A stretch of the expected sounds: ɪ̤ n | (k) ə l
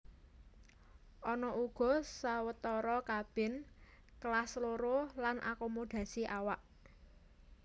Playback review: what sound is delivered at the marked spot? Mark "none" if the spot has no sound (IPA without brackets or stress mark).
k